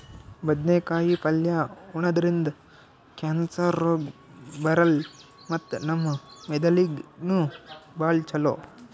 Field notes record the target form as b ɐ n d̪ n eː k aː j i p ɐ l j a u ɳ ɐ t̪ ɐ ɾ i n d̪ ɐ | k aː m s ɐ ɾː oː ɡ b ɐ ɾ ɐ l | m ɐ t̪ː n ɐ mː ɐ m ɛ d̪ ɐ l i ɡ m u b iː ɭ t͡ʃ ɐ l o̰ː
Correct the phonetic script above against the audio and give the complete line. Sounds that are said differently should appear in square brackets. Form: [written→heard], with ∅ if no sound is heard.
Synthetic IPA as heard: b ɐ [n→∅] d̪ n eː k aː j i p ɐ l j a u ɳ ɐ [t̪→d̪] ɐ ɾ i n d̪ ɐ | k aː [m→n] s ɐ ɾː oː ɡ b ɐ ɾ ɐ l | m ɐ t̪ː n ɐ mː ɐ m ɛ d̪ ɐ l i ɡ [m→n] u b [iː→aː] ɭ t͡ʃ ɐ l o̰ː